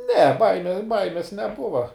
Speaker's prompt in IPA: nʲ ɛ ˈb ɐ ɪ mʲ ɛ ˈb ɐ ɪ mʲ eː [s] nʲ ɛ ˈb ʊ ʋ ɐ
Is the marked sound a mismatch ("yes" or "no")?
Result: no